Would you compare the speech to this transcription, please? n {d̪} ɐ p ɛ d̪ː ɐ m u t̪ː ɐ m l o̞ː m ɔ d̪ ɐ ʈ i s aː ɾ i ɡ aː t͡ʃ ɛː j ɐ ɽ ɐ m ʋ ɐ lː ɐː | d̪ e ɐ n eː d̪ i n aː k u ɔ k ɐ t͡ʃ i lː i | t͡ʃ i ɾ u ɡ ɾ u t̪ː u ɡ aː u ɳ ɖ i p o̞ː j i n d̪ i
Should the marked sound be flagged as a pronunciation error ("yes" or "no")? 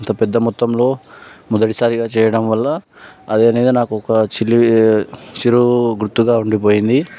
yes